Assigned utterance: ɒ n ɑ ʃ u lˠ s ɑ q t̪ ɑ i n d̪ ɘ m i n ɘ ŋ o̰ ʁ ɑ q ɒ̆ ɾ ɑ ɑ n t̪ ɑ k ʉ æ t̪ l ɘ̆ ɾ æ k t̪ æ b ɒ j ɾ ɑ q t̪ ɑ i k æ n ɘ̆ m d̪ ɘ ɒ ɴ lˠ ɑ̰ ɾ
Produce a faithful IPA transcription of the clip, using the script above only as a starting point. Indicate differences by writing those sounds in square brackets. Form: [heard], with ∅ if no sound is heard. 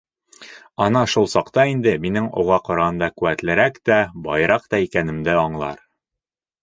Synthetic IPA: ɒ n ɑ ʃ u lˠ s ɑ q t̪ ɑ i n d̪ ɘ m i n ɘ ŋ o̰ ʁ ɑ q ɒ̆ ɾ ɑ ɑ n [d̪] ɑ k ʉ æ t̪ l ɘ̆ ɾ æ k t̪ æ b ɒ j ɾ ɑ q t̪ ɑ i k æ n ɘ̆ m d̪ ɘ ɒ ɴ lˠ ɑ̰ ɾ